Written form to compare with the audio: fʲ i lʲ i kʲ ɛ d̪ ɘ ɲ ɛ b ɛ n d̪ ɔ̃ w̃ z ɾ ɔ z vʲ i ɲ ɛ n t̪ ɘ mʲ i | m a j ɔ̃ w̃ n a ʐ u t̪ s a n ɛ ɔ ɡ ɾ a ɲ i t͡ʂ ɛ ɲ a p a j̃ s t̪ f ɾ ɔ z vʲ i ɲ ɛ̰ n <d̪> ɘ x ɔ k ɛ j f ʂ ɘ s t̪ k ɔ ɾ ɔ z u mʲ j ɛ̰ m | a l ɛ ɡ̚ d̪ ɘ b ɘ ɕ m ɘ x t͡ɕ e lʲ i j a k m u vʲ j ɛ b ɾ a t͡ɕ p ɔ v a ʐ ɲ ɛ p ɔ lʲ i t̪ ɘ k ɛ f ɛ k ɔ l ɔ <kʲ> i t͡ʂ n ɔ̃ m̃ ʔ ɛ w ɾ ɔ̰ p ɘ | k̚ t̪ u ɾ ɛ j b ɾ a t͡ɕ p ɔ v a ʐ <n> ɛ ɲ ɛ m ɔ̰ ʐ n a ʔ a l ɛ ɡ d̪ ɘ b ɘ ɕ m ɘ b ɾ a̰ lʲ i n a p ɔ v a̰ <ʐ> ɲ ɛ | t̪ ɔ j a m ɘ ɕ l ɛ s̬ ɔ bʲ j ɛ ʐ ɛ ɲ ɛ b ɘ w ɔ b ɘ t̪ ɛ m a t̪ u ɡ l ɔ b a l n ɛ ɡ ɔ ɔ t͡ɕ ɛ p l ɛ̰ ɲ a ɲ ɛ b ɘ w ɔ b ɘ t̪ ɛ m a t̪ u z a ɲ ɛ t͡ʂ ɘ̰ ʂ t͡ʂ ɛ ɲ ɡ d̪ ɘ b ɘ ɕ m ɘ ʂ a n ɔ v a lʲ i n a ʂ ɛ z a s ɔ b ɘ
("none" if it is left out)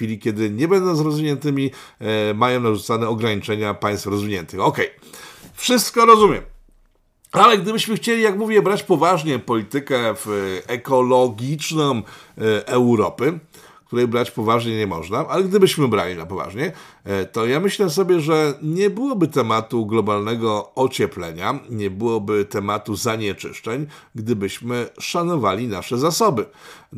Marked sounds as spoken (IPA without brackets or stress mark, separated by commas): t̪, ɡʲ, ɲ, ʐ